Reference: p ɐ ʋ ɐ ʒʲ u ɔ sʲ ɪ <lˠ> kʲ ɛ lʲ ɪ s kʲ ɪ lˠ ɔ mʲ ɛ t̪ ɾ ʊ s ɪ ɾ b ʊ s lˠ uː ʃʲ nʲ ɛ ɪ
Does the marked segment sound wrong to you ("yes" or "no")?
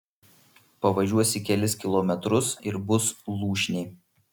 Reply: yes